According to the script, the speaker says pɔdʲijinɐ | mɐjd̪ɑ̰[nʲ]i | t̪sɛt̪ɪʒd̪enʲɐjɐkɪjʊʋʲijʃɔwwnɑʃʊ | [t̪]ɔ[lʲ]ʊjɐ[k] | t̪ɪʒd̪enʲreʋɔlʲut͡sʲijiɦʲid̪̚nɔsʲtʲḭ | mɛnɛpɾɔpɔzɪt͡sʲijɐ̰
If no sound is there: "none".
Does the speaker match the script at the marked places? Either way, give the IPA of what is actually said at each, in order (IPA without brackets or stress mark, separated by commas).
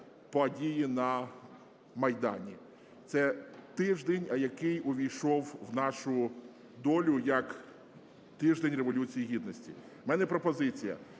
nʲ, d̪, lʲ, k